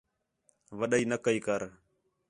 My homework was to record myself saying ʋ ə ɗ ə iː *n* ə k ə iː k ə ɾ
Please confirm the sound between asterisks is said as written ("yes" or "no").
yes